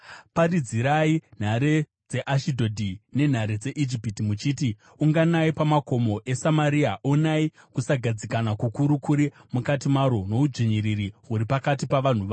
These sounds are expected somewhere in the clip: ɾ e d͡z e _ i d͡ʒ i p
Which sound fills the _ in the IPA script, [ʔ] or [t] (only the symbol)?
ʔ